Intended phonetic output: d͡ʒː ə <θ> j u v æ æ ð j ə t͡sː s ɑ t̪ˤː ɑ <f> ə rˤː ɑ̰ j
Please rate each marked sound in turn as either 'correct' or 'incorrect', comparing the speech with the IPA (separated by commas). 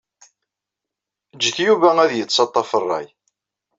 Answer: correct, correct